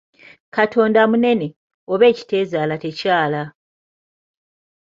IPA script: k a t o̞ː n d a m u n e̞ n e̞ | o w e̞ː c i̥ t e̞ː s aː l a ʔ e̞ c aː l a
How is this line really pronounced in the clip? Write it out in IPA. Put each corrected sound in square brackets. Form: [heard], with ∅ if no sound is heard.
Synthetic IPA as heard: k a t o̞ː n d a m u n e̞ n e̞ | o [β] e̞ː c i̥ t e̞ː [z] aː l a [t] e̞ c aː l a